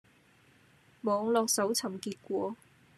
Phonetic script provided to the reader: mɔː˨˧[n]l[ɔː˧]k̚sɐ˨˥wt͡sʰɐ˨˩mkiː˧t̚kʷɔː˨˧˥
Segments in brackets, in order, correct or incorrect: incorrect, correct

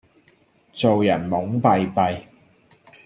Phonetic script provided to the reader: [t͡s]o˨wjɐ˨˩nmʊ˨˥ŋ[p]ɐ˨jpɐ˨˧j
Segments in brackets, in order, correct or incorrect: correct, correct

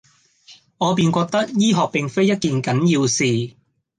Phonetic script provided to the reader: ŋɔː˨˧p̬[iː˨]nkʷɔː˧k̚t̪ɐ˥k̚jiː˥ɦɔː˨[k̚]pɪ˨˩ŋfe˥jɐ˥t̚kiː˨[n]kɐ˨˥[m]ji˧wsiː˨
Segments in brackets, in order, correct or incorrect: correct, correct, correct, incorrect

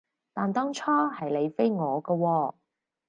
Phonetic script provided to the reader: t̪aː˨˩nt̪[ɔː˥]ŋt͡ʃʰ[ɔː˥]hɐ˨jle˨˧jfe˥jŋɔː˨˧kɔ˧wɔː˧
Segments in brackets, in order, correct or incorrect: correct, correct

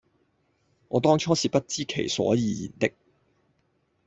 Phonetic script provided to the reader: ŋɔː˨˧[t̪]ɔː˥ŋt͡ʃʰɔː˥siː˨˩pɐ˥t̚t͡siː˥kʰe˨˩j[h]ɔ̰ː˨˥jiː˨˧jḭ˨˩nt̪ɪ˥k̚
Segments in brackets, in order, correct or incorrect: correct, incorrect

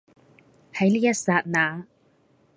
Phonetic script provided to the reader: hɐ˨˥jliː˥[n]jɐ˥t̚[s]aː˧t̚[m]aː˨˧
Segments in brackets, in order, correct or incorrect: incorrect, correct, incorrect

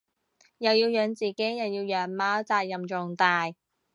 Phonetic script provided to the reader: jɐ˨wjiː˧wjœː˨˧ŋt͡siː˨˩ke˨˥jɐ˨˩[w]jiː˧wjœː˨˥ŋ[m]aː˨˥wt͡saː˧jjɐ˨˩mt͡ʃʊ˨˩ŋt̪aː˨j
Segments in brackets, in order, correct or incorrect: correct, correct

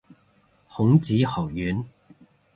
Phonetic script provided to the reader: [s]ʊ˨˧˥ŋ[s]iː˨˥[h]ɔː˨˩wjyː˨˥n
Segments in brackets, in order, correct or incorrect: incorrect, incorrect, correct

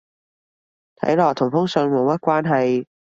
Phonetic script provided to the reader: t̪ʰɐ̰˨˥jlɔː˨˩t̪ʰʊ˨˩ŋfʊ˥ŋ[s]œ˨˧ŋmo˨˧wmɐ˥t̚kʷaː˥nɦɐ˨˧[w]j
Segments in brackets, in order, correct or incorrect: correct, incorrect

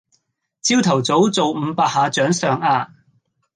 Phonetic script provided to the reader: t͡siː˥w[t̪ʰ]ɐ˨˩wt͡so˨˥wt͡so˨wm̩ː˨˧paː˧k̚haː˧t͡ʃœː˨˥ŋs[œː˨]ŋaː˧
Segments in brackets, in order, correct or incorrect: correct, correct

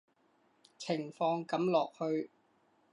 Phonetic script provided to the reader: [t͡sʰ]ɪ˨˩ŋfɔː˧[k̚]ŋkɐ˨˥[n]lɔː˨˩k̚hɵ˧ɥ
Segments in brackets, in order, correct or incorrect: correct, incorrect, incorrect

